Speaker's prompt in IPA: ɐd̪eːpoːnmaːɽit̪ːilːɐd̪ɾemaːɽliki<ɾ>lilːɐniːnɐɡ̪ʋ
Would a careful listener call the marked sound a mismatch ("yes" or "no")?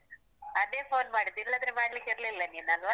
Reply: no